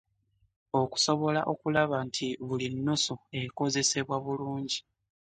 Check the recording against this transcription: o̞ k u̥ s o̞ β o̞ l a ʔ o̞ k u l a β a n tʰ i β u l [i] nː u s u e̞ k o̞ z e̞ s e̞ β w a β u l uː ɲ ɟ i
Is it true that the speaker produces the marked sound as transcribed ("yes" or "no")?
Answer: yes